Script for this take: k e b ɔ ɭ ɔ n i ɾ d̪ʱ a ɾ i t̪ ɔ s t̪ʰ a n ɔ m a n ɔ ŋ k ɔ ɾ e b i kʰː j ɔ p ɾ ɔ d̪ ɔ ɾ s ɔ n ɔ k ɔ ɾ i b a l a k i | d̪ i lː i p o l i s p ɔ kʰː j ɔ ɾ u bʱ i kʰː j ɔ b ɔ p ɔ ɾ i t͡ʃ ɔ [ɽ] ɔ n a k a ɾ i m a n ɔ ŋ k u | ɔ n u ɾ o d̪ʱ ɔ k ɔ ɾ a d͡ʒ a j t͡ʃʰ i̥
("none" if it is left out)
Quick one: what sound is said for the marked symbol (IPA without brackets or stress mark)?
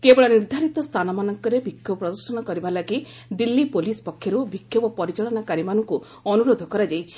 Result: ɭ